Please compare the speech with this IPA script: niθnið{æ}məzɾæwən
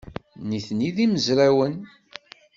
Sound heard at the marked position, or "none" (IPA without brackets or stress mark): i